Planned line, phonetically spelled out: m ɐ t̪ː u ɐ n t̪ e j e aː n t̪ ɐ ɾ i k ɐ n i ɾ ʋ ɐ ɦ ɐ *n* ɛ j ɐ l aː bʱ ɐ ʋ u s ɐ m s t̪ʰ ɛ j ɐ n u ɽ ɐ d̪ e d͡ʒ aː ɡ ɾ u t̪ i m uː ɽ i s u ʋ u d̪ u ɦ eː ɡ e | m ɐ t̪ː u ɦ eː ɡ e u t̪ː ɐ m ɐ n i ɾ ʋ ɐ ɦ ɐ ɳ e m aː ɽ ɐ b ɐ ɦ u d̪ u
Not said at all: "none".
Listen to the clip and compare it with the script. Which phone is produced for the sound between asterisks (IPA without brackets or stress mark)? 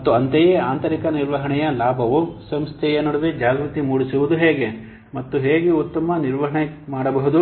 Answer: ɳ